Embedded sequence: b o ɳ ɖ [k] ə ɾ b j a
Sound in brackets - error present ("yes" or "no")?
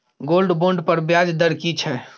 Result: yes